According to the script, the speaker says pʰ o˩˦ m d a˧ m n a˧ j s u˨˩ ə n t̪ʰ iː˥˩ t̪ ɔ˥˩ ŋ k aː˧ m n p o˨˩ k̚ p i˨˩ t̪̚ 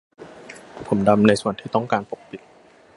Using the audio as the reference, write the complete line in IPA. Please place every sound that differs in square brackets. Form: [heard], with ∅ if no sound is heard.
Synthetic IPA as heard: pʰ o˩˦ m d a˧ m n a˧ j s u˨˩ ə n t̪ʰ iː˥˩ t̪ ɔ˥˩ ŋ k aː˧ [∅] n p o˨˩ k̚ p i˨˩ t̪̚